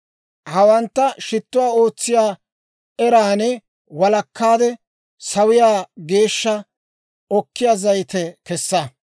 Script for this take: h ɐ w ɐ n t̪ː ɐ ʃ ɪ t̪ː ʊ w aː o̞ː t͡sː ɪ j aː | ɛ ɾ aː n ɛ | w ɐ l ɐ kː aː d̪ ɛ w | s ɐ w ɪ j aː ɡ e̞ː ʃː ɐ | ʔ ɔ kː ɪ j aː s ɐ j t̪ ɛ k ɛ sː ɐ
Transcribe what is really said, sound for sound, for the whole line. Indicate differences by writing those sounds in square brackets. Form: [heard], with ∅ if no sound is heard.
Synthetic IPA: h ɐ w ɐ n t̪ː ɐ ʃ ɪ t̪ː ʊ w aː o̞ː t͡sː ɪ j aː | ɛ ɾ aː n ɛ | w ɐ l ɐ kː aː d̪ ɛ [∅] | s ɐ w ɪ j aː ɡ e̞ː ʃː ɐ | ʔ ɔ kː ɪ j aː [z] ɐ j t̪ ɛ k ɛ sː ɐ